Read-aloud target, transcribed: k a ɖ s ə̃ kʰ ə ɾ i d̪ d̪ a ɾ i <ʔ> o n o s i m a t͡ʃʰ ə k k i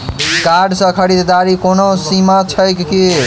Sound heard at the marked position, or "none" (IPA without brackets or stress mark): k